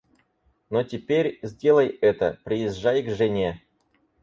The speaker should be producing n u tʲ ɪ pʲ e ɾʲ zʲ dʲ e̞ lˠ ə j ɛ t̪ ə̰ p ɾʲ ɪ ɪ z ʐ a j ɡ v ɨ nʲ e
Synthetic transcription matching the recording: n o tʲ ɪ pʲ e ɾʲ zʲ dʲ e̞ lˠ ə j ɛ t̪ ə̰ p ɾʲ ɪ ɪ z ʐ a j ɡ ʐ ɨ nʲ e